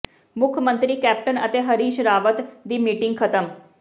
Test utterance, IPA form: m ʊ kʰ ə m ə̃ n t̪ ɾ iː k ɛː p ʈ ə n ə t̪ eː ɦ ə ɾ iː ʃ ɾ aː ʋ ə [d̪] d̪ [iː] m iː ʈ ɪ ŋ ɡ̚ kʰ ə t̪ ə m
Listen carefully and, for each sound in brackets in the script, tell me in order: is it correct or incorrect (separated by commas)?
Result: incorrect, correct